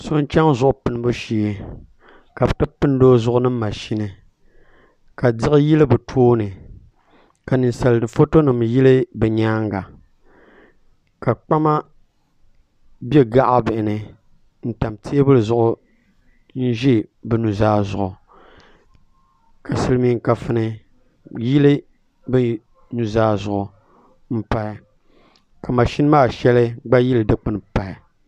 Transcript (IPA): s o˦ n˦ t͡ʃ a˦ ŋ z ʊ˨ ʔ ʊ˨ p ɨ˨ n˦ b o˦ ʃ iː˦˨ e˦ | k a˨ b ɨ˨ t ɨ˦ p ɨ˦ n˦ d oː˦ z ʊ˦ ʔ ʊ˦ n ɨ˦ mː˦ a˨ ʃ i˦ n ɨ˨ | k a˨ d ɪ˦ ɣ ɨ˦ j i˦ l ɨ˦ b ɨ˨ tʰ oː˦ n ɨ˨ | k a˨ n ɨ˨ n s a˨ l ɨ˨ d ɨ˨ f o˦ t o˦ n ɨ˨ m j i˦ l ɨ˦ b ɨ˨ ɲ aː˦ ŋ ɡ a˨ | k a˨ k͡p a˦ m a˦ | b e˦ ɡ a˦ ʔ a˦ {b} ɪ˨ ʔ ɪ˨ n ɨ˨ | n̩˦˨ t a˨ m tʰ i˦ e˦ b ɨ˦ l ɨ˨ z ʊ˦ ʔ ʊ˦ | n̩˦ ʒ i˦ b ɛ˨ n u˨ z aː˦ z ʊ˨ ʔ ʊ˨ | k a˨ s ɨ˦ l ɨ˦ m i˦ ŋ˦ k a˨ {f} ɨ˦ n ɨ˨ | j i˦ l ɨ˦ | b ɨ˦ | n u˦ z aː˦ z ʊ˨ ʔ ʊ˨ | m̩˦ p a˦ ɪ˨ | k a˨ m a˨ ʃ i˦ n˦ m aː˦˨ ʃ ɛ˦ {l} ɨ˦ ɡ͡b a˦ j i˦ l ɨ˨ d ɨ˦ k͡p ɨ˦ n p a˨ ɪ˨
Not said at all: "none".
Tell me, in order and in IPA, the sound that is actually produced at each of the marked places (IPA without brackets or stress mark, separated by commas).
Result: b, f, l